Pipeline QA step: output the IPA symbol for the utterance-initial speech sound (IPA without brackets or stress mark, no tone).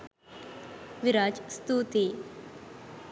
ʋ